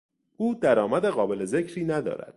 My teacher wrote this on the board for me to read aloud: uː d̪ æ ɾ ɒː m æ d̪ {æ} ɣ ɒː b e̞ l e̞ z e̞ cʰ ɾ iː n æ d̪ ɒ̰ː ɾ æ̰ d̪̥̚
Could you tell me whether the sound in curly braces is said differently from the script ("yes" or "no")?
yes